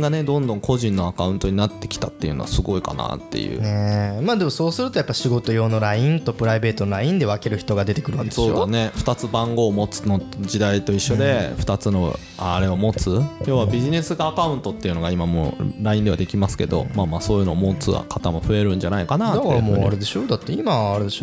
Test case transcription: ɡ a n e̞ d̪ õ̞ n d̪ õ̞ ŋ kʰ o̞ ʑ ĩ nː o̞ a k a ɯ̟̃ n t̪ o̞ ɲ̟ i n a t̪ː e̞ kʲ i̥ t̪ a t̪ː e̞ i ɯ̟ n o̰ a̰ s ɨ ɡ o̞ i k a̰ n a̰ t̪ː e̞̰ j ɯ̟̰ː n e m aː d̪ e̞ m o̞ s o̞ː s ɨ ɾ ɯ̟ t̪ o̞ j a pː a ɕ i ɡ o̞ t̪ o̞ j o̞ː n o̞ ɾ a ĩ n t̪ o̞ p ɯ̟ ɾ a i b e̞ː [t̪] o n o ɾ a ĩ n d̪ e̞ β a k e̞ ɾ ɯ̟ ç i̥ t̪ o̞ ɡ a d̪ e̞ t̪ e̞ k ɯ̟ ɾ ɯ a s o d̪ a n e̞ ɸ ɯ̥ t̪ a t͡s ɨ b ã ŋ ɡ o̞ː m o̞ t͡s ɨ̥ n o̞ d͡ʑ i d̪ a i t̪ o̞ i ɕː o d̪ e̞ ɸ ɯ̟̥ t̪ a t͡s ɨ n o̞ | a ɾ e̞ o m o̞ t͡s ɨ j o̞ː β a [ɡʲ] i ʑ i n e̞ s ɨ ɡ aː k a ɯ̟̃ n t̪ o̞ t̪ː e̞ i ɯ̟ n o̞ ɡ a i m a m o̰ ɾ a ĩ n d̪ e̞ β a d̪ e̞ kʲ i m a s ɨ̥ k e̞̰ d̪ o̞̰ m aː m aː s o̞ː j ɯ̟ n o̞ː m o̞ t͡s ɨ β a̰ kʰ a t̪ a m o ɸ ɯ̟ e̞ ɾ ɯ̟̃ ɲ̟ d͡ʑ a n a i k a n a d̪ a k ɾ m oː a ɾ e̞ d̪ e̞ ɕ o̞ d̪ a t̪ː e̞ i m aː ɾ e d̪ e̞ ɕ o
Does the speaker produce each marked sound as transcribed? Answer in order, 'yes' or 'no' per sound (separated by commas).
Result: yes, no